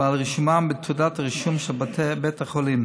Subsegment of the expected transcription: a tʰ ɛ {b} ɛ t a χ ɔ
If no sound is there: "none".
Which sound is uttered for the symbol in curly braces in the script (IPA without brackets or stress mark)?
b